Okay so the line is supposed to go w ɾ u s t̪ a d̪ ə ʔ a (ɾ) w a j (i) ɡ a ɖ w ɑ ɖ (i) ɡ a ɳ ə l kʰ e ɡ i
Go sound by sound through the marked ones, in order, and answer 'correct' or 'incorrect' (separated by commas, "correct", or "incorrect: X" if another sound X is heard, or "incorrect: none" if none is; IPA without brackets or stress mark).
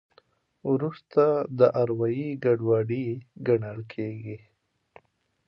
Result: correct, correct, correct